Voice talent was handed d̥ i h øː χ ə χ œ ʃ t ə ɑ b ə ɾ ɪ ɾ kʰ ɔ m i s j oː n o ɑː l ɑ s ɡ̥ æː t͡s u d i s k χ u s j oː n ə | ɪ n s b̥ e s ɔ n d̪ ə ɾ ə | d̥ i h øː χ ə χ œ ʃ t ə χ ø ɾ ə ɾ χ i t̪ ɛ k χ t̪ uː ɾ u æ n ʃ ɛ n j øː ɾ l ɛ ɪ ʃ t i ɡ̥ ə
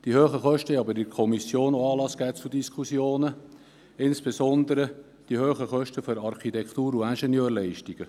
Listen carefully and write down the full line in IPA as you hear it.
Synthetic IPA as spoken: d̥ i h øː χ ə χ œ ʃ t ə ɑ b ə ɾ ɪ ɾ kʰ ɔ m i s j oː n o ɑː l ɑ s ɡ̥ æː t͡s u d i s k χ u s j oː n ə | ɪ n s b̥ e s ɔ n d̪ ə ɾ ə | d̥ i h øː χ ə χ œ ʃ t ə f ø ɾ ɑ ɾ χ i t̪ ɛ k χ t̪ uː ɾ u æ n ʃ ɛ n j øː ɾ l ɛ ɪ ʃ t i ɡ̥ ə